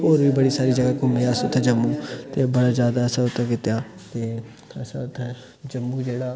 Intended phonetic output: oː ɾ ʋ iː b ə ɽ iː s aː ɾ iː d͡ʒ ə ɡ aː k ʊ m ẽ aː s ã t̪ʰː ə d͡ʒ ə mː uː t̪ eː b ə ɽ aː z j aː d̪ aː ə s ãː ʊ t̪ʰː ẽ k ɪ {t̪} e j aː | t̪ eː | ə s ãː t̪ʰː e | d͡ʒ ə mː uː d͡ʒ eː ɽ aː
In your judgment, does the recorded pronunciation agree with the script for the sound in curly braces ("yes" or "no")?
yes